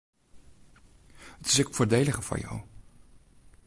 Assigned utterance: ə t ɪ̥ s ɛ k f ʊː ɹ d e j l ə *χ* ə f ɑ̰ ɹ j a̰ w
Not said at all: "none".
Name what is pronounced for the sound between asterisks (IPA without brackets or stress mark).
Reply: χ